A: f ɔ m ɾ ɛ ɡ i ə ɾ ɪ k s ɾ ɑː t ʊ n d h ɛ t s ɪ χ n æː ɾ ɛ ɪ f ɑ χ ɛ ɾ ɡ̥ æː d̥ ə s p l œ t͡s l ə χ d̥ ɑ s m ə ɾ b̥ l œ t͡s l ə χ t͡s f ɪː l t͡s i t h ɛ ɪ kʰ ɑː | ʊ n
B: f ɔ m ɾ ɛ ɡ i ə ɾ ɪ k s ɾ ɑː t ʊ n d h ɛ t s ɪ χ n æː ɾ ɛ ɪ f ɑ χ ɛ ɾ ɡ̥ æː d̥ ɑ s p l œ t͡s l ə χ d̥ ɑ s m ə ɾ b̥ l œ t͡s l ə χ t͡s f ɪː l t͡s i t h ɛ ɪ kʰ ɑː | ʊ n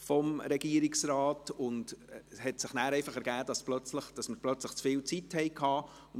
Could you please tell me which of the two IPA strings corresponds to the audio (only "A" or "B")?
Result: B